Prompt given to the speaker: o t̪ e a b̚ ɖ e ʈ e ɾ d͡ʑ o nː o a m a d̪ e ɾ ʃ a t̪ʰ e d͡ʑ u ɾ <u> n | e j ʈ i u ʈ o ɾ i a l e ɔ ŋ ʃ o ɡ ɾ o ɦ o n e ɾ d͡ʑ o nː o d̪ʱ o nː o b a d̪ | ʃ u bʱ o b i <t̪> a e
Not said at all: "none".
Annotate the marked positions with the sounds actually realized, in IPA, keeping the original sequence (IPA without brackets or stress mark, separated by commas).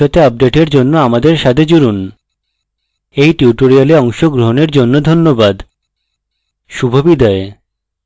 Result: u, d̪